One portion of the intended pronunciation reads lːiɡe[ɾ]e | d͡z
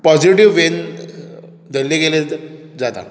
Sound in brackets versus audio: incorrect: l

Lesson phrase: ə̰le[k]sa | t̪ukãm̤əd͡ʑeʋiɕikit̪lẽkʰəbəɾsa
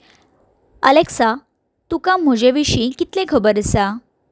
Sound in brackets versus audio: correct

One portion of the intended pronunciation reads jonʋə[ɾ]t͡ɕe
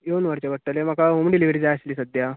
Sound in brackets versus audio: correct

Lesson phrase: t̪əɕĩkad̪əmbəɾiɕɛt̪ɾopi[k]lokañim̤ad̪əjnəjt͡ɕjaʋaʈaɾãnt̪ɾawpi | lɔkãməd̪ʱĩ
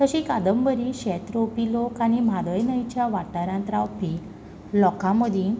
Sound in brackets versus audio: incorrect: none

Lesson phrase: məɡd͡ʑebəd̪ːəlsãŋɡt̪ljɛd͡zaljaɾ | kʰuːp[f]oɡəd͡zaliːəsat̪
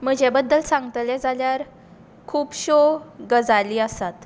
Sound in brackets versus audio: incorrect: ɕ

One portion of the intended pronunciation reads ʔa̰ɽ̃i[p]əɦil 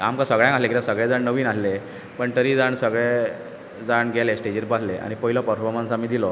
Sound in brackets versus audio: correct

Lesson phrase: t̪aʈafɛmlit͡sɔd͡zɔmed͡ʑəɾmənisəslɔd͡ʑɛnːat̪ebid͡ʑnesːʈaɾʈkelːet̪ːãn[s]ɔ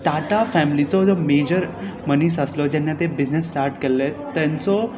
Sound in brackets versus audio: incorrect: t͡s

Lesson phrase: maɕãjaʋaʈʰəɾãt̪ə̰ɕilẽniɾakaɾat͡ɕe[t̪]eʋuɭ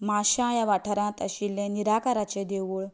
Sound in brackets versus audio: incorrect: d̪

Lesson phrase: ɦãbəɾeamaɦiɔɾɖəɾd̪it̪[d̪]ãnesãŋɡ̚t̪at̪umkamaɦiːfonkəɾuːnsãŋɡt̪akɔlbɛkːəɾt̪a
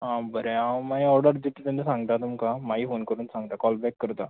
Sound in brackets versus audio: incorrect: t̪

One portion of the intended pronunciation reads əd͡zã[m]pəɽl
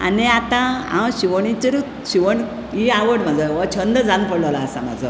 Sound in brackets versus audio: incorrect: n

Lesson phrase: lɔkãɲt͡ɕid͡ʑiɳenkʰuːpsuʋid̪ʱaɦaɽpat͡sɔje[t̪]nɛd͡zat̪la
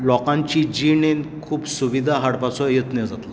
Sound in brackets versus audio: correct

